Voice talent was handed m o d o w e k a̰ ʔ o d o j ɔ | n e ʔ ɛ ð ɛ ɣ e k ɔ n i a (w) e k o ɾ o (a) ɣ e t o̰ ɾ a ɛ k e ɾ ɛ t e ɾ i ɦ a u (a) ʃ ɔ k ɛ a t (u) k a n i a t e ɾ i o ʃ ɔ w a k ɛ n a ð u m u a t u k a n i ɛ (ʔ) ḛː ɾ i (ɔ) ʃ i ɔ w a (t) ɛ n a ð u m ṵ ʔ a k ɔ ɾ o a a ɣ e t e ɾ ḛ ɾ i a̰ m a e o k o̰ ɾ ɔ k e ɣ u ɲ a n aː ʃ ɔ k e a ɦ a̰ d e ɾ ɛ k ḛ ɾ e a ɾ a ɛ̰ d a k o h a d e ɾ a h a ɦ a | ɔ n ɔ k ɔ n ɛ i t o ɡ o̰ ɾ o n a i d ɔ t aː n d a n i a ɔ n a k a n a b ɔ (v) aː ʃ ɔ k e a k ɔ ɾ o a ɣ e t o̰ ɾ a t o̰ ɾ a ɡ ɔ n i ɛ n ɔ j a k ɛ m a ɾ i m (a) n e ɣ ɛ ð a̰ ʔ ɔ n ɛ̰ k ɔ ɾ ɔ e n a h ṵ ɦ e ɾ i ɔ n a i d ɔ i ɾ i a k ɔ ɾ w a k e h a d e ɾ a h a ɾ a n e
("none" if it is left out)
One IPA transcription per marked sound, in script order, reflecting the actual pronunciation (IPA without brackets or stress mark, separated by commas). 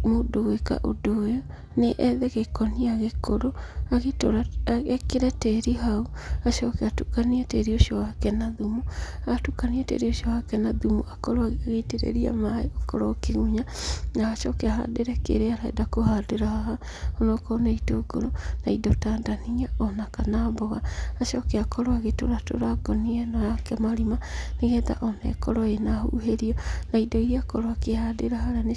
ɣ, a, a, u, t, o, k, ɣ, a